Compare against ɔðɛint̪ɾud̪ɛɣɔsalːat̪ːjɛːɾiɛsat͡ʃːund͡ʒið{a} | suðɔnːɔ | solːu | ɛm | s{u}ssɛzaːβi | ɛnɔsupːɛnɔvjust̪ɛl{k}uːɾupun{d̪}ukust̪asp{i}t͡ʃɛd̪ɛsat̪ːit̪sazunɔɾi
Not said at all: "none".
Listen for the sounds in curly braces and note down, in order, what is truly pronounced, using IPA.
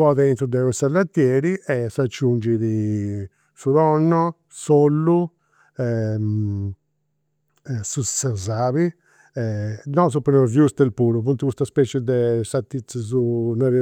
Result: i, u, p, t̪, ɛ

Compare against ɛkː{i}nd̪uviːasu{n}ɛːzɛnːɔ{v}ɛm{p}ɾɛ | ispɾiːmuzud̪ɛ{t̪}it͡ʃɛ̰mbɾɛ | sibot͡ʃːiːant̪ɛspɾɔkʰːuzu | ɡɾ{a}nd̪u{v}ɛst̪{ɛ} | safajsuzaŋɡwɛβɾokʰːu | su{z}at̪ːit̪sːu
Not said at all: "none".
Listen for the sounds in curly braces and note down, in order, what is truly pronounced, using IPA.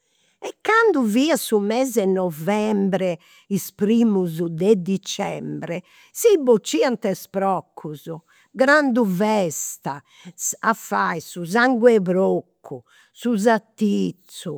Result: a, m, v, b, d̪, a, v, a, z

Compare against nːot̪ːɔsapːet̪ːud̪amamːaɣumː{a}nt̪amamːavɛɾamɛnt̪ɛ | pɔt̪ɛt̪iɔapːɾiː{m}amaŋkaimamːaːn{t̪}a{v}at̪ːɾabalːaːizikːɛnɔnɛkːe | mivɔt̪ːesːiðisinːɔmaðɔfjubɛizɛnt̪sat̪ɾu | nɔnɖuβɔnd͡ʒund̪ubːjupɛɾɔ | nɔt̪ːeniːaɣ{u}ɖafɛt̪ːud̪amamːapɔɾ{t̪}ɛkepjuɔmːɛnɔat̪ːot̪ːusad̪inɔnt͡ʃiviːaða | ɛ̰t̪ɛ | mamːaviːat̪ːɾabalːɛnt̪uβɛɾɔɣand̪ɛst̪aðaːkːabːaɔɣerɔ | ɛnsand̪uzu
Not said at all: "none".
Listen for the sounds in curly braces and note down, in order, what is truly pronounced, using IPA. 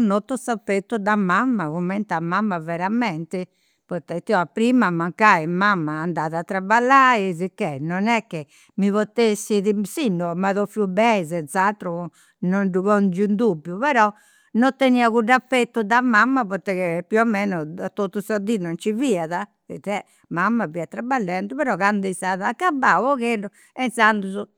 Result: ɛ, m, d̪, ð, u, t̪

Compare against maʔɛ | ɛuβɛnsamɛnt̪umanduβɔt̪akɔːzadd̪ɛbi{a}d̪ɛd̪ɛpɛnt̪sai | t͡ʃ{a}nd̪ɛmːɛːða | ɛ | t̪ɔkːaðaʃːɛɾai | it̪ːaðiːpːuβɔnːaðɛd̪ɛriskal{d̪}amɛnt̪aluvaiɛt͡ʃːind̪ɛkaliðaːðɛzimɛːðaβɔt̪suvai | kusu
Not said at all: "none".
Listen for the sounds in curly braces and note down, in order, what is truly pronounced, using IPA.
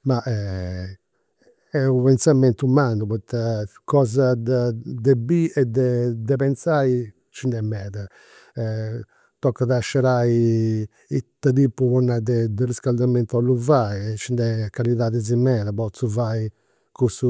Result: ɛ, i, d̪

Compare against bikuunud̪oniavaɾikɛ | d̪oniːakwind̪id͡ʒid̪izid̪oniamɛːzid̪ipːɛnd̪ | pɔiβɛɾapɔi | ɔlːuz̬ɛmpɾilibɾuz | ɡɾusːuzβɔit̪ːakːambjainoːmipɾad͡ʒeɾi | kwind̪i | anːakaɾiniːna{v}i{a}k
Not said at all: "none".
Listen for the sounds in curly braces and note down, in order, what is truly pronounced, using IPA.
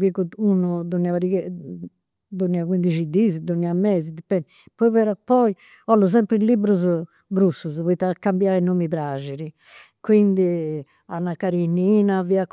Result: v, a

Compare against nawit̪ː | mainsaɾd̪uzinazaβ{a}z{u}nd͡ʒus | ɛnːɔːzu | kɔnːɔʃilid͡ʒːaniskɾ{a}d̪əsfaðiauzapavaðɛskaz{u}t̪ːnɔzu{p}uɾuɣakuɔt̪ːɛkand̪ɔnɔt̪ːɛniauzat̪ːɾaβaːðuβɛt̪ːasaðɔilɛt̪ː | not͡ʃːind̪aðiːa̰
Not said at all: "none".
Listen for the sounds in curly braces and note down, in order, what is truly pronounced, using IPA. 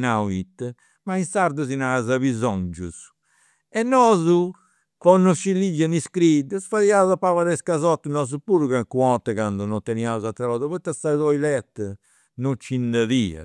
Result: i, ɔ, i, ɔ, p

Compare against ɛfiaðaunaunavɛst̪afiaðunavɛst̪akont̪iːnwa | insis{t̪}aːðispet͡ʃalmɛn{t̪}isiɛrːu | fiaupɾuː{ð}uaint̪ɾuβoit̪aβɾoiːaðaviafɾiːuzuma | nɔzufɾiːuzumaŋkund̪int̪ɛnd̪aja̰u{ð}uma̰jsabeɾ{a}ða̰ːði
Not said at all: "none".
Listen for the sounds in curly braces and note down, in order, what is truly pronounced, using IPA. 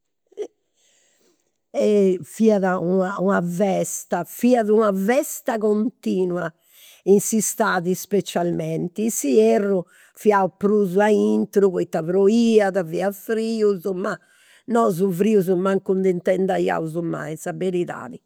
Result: t̪, t̪, z, z, i

